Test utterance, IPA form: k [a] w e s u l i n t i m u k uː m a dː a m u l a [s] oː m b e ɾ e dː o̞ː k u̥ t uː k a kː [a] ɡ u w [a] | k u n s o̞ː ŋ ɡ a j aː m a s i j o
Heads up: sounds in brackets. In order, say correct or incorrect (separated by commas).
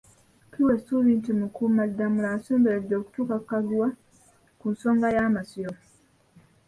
incorrect, correct, correct, correct